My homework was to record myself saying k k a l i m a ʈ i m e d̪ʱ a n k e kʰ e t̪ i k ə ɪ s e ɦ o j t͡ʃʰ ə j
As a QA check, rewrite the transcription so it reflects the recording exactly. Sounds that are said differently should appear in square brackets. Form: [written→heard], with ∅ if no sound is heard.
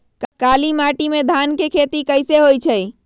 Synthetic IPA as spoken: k k a l i m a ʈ i m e d̪ʱ a n k e kʰ e t̪ i k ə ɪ s e ɦ o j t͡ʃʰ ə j

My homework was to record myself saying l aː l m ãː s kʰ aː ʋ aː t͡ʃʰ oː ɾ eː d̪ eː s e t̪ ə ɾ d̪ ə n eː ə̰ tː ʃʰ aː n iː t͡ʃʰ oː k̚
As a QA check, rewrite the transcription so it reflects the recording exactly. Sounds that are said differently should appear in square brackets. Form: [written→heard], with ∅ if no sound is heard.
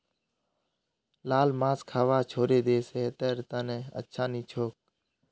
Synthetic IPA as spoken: l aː l m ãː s kʰ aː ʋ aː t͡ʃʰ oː ɾ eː d̪ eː s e t̪ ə ɾ [d̪→t̪] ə n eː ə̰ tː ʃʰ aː n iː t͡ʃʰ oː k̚

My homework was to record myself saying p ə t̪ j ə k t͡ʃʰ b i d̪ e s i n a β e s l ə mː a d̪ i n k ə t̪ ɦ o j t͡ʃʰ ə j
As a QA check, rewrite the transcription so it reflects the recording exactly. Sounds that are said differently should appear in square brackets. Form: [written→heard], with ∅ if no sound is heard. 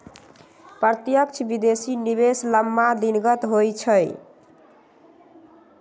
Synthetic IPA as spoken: p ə t̪ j ə k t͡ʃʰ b i d̪ e s i n [a→i] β e s l ə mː a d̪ i n [k→ɡ] ə t̪ ɦ o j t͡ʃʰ ə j

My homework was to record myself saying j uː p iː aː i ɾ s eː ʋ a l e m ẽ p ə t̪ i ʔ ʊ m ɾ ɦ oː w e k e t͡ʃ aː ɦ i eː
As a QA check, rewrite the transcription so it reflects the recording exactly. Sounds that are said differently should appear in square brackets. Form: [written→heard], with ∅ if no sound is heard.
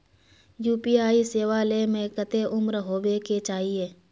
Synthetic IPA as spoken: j uː p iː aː i [ɾ→∅] s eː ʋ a l e m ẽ [p→k] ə t̪ [i→e] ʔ ʊ m ɾ ɦ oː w e k e t͡ʃ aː ɦ i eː

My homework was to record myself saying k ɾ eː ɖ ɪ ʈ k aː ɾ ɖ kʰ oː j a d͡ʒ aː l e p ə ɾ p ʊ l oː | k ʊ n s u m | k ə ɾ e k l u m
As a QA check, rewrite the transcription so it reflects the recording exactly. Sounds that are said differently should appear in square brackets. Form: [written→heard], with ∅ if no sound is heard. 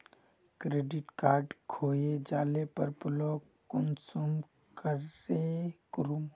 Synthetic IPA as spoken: k ɾ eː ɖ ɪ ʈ k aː ɾ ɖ kʰ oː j [a→e] d͡ʒ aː l e p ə ɾ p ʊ l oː | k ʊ n s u m | k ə ɾ e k [l→ɾ] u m

